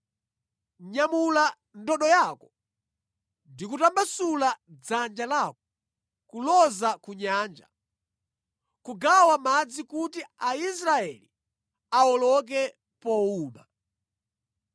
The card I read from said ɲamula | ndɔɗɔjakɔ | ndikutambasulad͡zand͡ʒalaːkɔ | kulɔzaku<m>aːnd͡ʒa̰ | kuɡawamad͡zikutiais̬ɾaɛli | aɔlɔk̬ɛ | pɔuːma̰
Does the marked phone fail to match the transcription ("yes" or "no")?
yes